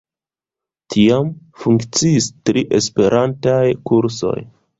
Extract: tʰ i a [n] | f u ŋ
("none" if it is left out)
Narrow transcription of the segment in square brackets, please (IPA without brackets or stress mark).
m